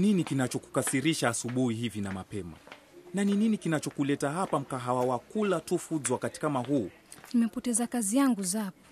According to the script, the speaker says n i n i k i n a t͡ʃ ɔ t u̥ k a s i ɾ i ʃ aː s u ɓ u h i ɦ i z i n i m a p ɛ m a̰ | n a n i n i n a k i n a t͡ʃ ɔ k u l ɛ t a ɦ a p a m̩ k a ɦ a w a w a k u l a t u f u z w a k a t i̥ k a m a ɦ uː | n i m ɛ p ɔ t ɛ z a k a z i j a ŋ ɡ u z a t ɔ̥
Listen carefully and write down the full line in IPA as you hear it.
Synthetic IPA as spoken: n i n i k i n a t͡ʃ ɔ k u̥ k a s i ɾ i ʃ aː s u ɓ u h i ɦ i v i n a m a p ɛ m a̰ | n a n i n i n i k i n a t͡ʃ ɔ k u l ɛ t a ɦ a p a m̩ k a ɦ a w a w a k u l a t u f u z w a k a t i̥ k a m a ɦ uː | n i m ɛ p ɔ t ɛ z a k a z i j a ŋ ɡ u z a p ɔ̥